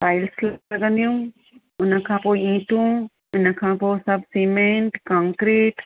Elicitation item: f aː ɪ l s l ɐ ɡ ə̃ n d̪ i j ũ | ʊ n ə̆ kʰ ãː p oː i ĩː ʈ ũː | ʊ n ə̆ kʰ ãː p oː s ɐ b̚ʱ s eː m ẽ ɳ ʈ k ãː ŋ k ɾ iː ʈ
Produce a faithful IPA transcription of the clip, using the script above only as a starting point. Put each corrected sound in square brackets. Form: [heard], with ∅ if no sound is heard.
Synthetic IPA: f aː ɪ l s l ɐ ɡ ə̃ n d̪ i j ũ | ʊ n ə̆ kʰ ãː p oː i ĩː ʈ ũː | ʊ n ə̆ kʰ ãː p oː s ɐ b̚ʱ s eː m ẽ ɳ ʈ k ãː ŋ k ɾ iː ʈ